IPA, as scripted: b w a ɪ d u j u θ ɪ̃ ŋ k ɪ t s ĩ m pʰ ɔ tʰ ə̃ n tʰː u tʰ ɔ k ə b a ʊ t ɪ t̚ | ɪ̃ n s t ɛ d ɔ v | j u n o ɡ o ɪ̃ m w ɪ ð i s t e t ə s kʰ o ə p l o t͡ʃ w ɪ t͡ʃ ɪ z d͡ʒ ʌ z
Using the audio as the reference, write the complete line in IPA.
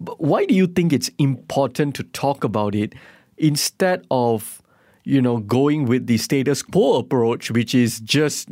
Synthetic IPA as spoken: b w a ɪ d u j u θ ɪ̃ ŋ k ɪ t s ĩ m pʰ ɔ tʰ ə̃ n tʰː u tʰ ɔ k ə b a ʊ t ɪ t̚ | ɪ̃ n s t ɛ d ɔ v | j u n o ɡ o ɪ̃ ŋ w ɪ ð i s t e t ə s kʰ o ə p ɹ o t͡ʃ w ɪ t͡ʃ ɪ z d͡ʒ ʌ s